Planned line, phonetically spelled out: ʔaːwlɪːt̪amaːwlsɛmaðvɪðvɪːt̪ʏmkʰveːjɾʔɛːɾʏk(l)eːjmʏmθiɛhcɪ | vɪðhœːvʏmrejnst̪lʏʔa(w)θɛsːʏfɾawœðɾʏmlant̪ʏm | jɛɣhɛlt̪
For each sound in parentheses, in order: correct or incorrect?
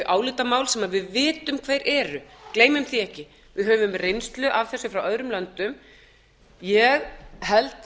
correct, incorrect: v

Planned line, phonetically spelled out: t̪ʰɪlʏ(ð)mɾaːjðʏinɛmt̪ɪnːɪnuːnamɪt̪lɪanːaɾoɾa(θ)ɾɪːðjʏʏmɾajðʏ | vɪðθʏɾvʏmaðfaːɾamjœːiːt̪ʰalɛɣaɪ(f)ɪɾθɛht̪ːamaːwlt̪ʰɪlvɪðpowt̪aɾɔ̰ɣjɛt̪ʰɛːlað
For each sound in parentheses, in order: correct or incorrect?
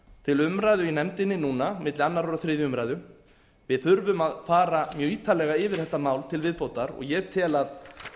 incorrect: none, correct, incorrect: v

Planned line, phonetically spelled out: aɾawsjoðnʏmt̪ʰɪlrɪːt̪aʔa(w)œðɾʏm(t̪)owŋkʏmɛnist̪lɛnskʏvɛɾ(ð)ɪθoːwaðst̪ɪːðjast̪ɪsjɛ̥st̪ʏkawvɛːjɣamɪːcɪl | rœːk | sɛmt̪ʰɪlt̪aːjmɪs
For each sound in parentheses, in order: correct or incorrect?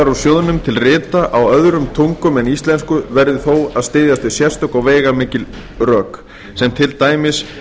correct, incorrect: t̪ʰ, correct

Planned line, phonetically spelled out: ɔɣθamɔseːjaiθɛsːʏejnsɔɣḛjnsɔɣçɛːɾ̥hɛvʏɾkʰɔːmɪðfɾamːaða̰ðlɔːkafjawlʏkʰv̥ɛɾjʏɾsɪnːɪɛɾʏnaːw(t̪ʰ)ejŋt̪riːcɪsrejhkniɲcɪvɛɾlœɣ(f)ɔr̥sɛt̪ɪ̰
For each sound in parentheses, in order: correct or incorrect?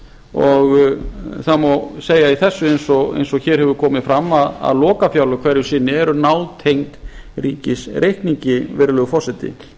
correct, correct

